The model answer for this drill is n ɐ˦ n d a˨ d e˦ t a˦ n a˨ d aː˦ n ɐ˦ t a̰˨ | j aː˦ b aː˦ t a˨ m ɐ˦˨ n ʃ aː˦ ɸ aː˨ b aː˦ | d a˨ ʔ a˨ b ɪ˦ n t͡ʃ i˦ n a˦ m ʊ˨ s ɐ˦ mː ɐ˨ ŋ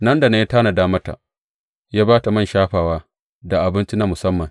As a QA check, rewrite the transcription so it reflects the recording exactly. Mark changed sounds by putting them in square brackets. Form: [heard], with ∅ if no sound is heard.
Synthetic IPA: n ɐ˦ n d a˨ [n] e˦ t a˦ n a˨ d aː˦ [m] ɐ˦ t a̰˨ | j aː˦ b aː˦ t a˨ m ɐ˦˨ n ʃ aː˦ ɸ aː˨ [w] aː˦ | d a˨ ʔ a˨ b ɪ˦ n t͡ʃ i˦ n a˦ m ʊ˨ s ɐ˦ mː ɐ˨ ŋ